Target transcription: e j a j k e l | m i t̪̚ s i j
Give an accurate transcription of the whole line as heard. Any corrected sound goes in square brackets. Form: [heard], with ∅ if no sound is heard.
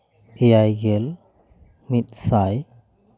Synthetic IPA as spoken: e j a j [ɡ] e l | m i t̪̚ s [a] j